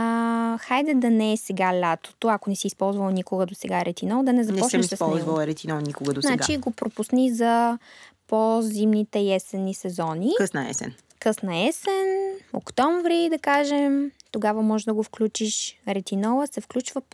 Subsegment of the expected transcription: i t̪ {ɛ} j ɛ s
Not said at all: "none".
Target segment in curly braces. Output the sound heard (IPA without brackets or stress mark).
ɛ